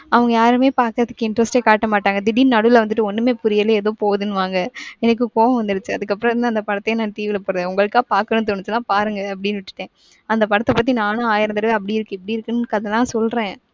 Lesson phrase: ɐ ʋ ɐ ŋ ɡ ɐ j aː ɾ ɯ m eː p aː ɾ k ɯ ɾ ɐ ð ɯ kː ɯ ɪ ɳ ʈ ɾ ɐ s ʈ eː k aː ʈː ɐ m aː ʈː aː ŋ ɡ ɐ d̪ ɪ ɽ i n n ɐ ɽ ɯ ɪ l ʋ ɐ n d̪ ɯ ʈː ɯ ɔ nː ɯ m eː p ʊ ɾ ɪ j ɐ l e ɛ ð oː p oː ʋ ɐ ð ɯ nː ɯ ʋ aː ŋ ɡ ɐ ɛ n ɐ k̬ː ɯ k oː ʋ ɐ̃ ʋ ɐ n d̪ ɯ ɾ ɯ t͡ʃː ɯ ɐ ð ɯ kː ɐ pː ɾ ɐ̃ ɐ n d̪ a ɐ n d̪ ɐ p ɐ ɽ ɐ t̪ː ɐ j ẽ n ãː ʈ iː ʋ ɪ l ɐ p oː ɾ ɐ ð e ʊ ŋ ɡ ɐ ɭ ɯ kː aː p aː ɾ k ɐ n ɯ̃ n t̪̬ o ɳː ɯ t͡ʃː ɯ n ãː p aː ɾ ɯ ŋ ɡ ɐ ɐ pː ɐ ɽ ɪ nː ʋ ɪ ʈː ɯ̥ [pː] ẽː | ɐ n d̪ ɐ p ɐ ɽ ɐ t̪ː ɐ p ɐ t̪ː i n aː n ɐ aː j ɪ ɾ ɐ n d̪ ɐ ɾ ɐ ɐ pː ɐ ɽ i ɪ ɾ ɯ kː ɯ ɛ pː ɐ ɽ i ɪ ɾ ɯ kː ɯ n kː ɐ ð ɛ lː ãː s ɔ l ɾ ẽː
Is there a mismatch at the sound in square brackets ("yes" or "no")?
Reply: yes